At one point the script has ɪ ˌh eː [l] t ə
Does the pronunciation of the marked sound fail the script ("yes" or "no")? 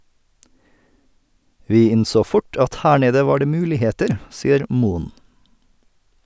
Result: yes